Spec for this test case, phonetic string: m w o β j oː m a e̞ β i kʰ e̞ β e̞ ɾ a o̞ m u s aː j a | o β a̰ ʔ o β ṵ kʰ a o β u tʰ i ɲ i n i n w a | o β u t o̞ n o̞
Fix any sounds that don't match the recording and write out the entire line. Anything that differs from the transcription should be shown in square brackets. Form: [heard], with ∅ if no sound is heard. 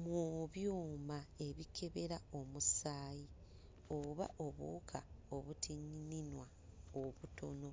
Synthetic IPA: m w o β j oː m a e̞ β i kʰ e̞ β e̞ ɾ a o̞ m u s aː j [i] | o β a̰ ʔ o β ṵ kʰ a o β u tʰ i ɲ i n i n w a | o β u t o̞ n o̞